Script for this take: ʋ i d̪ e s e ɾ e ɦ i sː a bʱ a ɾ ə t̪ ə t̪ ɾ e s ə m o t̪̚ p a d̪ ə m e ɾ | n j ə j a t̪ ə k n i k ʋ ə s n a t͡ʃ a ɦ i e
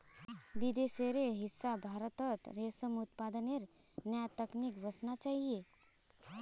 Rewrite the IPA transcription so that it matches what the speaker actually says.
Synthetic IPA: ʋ i d̪ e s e ɾ e ɦ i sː a bʱ a ɾ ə t̪ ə t̪ ɾ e s ə m u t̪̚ p a d̪ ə n e ɾ | n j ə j a t̪ ə k n i k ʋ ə s n a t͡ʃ a ɦ i e